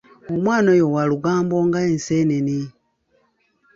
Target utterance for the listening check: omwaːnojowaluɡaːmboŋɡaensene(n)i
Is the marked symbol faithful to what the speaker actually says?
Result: yes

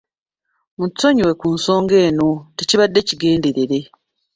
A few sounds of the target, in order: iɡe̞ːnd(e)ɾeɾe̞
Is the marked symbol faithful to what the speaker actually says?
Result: yes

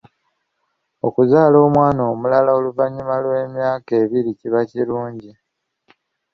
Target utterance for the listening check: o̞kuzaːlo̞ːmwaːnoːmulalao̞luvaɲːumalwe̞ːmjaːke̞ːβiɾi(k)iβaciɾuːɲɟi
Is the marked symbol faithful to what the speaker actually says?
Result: no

